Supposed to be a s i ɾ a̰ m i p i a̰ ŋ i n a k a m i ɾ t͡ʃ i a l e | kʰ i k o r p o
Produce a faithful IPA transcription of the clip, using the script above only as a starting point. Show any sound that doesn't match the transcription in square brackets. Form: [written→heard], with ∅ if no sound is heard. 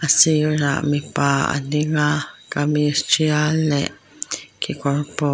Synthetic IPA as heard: a s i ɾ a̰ m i p [i→a] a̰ [ŋ→n] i [n→ŋ] a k a m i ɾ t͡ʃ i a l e | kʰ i k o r p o

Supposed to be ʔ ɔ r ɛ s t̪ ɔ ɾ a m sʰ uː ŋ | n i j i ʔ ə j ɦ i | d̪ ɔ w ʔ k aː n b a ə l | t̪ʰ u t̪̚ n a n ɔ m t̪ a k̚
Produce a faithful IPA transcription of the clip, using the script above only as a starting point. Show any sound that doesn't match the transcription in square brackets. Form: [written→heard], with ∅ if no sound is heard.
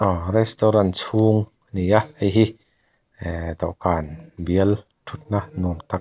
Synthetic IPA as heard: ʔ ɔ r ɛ s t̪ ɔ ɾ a [m→n] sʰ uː ŋ | n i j [i→a] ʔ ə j ɦ i | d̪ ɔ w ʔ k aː n b [a→i] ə l | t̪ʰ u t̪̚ n a n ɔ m t̪ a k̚

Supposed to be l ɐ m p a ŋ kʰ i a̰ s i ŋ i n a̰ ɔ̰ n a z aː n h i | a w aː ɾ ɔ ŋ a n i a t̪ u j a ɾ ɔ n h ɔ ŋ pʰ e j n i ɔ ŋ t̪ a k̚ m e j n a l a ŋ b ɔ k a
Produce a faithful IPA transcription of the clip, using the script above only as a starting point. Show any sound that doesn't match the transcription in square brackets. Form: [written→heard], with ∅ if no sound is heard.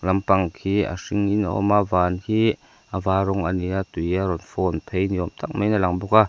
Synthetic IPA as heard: l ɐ m p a ŋ kʰ i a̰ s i ŋ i n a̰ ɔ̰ [n→m] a [z→v] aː n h i | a [w→v] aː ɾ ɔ ŋ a n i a t̪ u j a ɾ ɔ n [h→f] ɔ [ŋ→n] pʰ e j n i ɔ [ŋ→m] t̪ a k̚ m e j n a l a ŋ b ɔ k a

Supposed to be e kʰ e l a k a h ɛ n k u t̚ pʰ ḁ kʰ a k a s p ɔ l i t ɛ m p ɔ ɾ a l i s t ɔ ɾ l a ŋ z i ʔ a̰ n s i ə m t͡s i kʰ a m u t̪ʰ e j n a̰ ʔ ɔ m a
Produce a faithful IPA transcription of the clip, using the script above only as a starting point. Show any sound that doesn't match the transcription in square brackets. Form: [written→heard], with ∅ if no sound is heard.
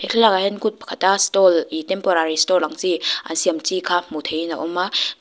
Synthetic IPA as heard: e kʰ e l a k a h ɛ n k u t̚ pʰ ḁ kʰ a [k→t] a s [p→t] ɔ l i t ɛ m p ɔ ɾ a [l→ɾ] i s t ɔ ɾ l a ŋ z i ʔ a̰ n s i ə m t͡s i kʰ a m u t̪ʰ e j n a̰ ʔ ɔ m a

